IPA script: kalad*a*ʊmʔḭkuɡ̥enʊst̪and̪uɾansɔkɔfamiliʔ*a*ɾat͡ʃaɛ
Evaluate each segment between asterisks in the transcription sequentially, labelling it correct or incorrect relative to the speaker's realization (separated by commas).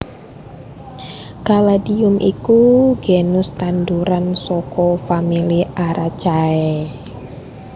incorrect, correct